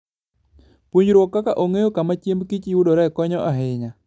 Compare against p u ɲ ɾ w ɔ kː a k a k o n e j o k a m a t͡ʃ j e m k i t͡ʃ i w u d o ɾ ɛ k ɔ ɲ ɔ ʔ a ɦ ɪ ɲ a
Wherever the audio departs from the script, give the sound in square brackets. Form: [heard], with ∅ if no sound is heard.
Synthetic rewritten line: p u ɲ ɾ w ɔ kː a k a [ʔ] o [ŋ] e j o k a m a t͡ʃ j e m k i t͡ʃ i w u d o ɾ ɛ k ɔ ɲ ɔ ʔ a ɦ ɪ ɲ a